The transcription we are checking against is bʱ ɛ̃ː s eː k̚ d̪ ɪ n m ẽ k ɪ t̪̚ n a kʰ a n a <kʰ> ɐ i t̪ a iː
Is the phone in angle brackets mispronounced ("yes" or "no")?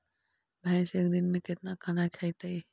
no